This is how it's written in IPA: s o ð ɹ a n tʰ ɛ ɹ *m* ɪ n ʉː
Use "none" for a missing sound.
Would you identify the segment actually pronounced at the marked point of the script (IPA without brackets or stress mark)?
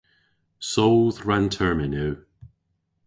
m